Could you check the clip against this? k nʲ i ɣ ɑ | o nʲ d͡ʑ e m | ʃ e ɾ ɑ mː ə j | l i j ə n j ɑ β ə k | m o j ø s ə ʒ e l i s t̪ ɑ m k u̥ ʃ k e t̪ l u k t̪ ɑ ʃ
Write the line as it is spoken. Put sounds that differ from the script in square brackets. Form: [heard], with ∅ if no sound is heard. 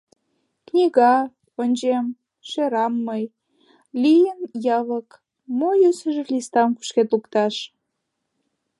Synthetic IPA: k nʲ i ɣ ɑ | o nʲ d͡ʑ e m | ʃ e ɾ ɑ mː ə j | l i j ə n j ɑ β ə k | m o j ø s ə ʒ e l i s t̪ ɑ m k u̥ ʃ k e t̪ l u k t̪ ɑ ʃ